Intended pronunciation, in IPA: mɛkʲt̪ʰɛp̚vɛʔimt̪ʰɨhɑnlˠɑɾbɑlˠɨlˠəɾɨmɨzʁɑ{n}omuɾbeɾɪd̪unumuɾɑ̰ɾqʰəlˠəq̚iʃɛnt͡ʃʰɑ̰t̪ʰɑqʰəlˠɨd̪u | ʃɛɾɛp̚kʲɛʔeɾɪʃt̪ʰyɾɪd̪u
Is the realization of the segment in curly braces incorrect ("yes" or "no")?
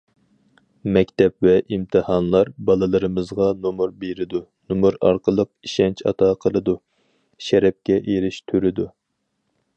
no